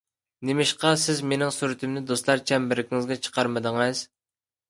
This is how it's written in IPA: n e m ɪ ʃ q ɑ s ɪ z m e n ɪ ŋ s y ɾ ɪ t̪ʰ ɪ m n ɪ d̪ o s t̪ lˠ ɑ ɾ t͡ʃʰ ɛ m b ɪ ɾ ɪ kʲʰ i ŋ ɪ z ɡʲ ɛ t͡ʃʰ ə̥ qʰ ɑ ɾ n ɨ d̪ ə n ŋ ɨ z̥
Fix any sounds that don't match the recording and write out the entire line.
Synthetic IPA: n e m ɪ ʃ q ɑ s ɪ z m e n ɪ ŋ s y ɾ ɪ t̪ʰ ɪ m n ɪ d̪ o s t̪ lˠ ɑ ɾ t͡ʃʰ ɛ m b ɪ ɾ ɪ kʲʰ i ŋ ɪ z ɡʲ ɛ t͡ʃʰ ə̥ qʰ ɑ ɾ m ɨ d̪ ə ŋ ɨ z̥